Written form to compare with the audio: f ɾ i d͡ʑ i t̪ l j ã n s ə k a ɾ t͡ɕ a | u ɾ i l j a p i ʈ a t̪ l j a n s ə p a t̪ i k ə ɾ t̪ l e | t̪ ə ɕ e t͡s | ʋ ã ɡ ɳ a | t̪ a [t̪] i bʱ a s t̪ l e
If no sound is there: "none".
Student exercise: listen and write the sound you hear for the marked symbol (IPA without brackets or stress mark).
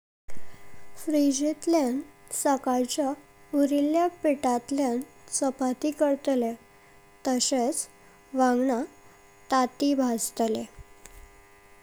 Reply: t̪